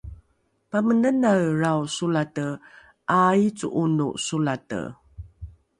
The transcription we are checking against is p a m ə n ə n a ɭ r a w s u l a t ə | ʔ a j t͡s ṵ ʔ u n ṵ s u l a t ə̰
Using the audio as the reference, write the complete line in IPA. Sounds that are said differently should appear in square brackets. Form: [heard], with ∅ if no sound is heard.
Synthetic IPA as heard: p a m ə n ə n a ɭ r a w s u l a t ə | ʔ a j t͡s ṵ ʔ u n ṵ s u l a t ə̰